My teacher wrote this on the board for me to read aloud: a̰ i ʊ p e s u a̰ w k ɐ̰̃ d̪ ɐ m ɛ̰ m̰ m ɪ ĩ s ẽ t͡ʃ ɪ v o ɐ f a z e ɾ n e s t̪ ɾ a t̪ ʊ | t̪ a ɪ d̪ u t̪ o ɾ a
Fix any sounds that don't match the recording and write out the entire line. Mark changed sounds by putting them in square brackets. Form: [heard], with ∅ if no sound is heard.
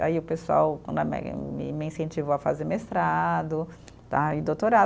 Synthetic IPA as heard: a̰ i ʊ p e s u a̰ w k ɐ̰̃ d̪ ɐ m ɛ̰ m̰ m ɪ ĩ s ẽ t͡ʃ [i] v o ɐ f a z e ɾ [m] e s t̪ ɾ a [d̪] ʊ | t̪ a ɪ d̪ [o] t̪ o ɾ a